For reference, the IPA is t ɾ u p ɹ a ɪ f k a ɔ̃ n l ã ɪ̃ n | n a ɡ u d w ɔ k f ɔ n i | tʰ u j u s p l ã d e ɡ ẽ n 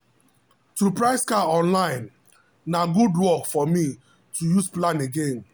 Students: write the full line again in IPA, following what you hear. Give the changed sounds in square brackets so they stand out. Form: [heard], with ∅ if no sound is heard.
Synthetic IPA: t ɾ u p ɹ a ɪ [s] k a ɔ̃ n l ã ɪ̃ n | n a ɡ u d w ɔ k f ɔ [m] i | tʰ u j u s p l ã [n] e ɡ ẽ n